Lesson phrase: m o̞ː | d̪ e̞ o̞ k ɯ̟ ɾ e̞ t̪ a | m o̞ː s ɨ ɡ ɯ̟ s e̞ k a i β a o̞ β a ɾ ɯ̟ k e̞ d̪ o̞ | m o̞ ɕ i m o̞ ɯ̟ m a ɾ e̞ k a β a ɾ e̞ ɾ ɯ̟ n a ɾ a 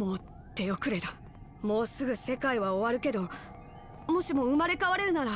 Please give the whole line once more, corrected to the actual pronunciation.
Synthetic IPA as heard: m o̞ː | t̪ e̞ o̞ k ɯ̟ ɾ e̞ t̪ a | m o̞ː s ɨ ɡ ɯ̟ s e̞ k a i β a o̞ β a ɾ ɯ̟ k e̞ d̪ o̞ | m o̞ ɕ i m o̞ ɯ̟ m a ɾ e̞ k a β a ɾ e̞ ɾ ɯ̟ n a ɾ a

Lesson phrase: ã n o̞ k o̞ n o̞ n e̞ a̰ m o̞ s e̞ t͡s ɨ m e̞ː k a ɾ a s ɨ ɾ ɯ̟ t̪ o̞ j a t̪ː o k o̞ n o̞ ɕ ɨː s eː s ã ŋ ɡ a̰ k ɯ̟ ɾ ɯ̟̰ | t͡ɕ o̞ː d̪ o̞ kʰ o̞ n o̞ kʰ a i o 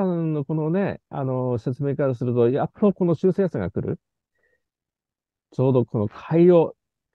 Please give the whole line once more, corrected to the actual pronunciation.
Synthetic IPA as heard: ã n o̞ k o̞ n o̞ n e̞ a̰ n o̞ s e̞ t͡s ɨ m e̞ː k a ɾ a s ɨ ɾ ɯ̟ t̪ o̞ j a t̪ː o k o̞ n o̞ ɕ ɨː s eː s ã ŋ ɡ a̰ k ɯ̟ ɾ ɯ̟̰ | t͡ɕ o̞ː d̪ o̞ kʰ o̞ n o̞ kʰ a i o

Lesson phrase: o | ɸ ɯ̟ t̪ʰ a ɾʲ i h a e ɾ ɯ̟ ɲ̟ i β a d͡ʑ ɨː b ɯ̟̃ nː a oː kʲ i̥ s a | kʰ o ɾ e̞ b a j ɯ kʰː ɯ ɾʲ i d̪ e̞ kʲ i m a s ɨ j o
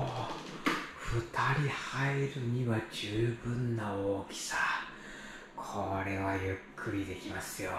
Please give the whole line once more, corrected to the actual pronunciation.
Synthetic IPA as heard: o | ɸ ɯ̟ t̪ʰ a ɾʲ i h a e ɾ ɯ̟ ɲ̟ i β a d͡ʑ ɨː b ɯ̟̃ nː a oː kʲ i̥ s a | kʰ o ɾ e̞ β a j ɯ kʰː ɯ ɾʲ i d̪ e̞ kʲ i m a s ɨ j o

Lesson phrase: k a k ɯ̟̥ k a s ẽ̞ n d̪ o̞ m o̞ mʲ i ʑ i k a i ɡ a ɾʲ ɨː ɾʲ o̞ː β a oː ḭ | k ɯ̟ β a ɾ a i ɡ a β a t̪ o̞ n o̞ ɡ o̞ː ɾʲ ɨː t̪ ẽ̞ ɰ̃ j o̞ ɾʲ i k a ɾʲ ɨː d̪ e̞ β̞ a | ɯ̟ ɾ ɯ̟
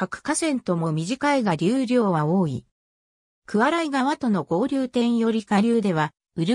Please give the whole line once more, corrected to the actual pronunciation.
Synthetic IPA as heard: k a k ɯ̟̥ k a s ẽ̞ n t̪ o̞ m o̞ mʲ i ʑ i k a i ɡ a ɾʲ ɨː ɾʲ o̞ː β a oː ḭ | k ɯ̟ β a ɾ a i ɡ a β a t̪ o̞ n o̞ ɡ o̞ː ɾʲ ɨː t̪ ẽ̞ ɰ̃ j o̞ ɾʲ i k a ɾʲ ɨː d̪ e̞ β̞ a | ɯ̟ ɾ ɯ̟

